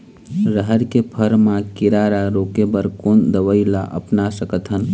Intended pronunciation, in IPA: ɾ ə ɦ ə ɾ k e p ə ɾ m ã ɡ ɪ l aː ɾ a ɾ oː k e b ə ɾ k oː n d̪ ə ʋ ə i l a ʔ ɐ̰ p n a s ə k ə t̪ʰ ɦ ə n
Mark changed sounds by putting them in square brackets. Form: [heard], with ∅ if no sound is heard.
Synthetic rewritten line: ɾ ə ɦ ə ɾ k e [pʰ] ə ɾ m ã [k] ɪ [ɾ] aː ɾ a ɾ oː k e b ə ɾ k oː n d̪ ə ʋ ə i l a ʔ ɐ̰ p n a s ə k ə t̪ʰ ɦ ə n